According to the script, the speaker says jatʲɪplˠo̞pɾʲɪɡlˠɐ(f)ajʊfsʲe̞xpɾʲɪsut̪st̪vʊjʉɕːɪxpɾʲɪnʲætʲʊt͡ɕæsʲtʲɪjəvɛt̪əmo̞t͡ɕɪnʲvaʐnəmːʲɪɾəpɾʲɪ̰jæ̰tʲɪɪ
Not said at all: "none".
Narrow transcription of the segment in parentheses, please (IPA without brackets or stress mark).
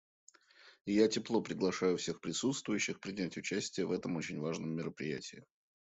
ʂ